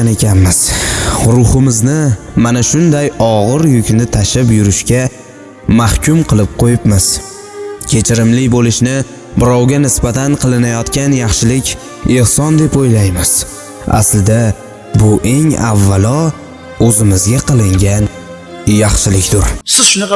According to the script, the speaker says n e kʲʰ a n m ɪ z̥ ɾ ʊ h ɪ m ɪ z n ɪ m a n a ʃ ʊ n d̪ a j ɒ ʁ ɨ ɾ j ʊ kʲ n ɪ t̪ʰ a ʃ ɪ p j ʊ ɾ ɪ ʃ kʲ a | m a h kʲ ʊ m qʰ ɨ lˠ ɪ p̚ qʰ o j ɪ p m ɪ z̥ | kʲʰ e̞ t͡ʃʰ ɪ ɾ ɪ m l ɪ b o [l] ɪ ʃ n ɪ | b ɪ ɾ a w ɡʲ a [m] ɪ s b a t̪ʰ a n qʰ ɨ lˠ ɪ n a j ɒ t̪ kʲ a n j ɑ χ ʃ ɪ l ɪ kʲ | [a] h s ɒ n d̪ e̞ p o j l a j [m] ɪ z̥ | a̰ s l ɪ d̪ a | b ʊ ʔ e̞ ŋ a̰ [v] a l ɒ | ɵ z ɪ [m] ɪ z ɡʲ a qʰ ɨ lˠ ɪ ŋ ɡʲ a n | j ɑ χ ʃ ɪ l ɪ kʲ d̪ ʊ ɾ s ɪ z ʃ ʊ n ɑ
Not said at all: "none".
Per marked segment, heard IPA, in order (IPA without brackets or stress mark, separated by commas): l, n, e, m, vː, m